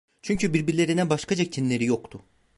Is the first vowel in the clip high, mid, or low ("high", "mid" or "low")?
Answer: high